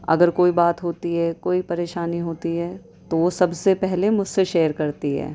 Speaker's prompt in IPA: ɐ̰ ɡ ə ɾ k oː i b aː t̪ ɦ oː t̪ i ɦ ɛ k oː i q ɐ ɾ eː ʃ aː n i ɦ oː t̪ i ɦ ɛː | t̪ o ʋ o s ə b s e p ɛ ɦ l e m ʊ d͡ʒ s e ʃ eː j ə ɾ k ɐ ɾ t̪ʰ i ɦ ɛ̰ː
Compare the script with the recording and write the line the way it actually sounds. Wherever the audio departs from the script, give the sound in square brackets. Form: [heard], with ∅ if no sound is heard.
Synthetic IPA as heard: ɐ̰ ɡ ə ɾ k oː i b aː t̪ ɦ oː t̪ i ɦ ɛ k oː i [p] ɐ ɾ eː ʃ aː n i ɦ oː t̪ i ɦ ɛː | t̪ o ʋ o s [ɐ] b s e p ɛ ɦ l e m ʊ d͡ʒ s e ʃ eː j ə ɾ k ɐ ɾ [t̪] i ɦ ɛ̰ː